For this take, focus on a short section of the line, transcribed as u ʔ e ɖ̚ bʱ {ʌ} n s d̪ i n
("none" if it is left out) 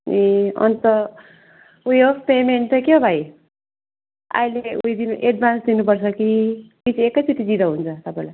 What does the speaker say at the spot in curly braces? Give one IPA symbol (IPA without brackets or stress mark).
a